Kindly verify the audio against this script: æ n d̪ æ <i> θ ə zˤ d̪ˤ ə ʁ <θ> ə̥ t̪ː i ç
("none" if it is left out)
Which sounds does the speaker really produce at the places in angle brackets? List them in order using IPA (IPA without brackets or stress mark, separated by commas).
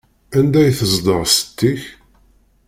j, s